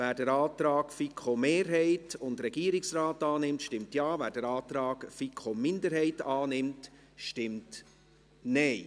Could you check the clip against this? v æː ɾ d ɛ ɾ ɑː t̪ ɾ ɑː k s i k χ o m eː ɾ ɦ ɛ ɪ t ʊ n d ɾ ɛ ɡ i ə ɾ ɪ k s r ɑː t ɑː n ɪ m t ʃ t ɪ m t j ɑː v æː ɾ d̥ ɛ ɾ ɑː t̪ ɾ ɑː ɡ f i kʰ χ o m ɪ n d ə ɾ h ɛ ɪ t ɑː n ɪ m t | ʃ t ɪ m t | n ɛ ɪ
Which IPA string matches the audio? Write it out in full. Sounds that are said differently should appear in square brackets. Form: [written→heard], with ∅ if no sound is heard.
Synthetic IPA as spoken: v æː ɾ d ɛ ɾ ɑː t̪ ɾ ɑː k [s→f] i k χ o m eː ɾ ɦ ɛ ɪ t ʊ n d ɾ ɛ ɡ i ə ɾ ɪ k s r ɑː t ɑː n ɪ m t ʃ t ɪ m t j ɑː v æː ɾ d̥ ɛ ɾ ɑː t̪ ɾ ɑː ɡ f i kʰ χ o m ɪ n d ə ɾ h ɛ ɪ t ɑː n ɪ m t | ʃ t ɪ m t | n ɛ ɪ